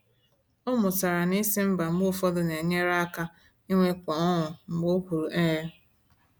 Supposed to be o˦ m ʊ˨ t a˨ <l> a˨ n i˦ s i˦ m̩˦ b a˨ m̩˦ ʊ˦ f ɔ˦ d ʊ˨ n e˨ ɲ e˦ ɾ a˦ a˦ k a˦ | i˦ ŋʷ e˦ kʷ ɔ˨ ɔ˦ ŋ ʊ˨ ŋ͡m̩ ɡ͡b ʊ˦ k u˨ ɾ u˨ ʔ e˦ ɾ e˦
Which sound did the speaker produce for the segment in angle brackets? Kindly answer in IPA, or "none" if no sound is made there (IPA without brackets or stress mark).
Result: ɾ